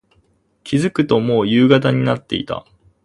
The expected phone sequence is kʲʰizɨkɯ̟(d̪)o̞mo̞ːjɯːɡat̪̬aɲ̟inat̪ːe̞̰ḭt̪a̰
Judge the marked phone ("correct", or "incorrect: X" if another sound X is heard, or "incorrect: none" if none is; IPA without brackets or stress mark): incorrect: t̪